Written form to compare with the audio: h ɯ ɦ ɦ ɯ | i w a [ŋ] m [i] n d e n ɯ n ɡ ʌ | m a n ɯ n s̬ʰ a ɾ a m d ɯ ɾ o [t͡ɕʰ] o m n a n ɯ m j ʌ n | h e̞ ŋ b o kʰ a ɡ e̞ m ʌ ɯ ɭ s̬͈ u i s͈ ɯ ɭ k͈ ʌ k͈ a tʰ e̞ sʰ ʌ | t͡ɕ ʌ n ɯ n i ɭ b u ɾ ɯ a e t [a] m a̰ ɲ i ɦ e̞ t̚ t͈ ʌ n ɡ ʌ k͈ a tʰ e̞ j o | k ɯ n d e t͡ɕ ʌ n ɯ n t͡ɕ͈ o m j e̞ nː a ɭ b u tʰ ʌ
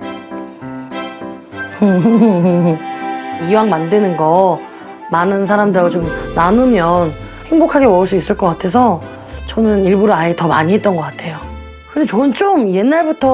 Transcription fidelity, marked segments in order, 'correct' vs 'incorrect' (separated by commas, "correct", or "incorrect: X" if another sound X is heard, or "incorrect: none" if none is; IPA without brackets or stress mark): correct, incorrect: a, incorrect: t͡ɕ, incorrect: ʌ